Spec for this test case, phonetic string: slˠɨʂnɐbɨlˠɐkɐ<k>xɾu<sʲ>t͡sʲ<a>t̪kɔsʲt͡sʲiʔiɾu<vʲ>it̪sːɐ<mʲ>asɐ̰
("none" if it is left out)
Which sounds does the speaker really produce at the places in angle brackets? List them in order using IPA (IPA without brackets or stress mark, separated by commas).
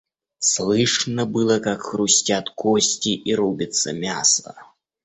k, sʲ, a, bʲ, mʲ